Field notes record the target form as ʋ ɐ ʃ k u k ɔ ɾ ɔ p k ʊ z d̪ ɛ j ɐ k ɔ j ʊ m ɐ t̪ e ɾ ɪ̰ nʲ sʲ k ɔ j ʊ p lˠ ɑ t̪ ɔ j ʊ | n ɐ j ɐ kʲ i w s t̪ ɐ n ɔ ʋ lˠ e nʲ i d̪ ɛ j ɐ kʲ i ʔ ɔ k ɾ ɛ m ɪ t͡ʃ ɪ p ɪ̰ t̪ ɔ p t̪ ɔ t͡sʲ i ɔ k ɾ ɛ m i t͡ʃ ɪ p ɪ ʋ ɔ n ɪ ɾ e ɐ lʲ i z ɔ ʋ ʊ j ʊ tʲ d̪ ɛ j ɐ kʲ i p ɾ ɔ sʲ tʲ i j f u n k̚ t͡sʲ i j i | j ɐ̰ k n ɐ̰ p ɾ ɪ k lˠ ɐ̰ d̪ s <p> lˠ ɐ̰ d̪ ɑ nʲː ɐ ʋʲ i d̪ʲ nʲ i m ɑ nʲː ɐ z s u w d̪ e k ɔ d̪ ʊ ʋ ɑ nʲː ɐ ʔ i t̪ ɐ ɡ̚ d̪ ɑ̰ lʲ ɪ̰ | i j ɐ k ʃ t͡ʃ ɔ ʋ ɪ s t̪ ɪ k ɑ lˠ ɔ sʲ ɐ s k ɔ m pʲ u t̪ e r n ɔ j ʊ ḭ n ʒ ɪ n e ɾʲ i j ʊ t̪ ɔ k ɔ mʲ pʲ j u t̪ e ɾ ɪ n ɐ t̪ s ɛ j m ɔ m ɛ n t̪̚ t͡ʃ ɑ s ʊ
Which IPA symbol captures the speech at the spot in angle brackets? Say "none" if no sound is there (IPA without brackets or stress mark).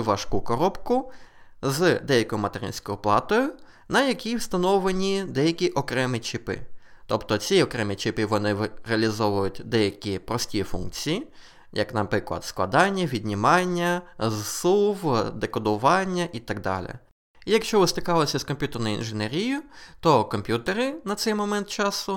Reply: k